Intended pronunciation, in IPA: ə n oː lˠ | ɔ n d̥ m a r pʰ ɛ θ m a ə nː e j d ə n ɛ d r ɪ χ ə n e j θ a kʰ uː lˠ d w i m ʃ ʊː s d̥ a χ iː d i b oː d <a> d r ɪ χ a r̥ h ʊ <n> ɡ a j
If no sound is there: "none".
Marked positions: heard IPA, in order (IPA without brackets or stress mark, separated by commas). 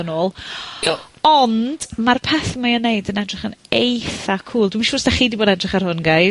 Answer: ɛ, n